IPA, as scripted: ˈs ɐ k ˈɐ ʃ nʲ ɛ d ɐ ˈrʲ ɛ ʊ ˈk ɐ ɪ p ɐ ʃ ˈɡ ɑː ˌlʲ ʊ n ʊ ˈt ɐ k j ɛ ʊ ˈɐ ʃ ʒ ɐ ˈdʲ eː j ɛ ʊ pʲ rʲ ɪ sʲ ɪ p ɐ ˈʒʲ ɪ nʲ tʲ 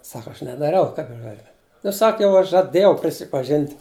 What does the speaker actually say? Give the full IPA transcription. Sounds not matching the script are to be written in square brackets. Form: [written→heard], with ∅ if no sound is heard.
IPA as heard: ˈs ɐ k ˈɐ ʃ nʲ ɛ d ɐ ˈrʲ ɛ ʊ ˈk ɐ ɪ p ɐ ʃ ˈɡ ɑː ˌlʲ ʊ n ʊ [ˈt→ˈs] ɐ k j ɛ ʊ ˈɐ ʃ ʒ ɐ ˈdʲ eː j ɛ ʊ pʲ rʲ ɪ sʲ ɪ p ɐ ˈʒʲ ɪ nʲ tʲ